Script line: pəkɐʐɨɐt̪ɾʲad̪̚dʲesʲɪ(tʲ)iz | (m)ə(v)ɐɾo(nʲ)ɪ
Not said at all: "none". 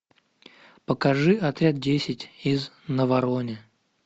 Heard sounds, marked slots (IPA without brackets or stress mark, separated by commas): tʲ, n, v, nʲ